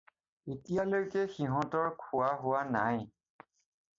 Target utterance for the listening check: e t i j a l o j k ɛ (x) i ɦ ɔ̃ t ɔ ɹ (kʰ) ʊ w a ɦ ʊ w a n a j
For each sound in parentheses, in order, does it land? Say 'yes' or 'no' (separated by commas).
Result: yes, yes